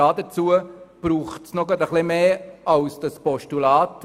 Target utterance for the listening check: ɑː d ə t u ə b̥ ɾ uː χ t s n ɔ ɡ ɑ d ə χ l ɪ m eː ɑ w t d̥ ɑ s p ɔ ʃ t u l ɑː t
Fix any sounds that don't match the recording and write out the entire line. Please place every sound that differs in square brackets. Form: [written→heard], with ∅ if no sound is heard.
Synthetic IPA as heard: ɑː d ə [t→t͡s] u ə b̥ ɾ uː χ t s n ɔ ɡ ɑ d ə χ l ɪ m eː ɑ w [t→s] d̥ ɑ s p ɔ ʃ t u l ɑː t